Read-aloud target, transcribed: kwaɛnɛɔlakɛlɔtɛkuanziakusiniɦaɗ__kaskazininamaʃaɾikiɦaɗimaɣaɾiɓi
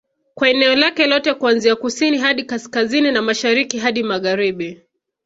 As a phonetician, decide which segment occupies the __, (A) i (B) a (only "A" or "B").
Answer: A